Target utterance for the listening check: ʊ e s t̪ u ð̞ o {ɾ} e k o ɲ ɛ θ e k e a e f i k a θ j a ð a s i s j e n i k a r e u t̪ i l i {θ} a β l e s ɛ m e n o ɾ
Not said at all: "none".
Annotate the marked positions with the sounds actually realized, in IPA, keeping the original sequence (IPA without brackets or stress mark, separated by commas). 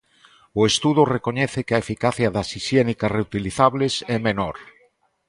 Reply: r, θ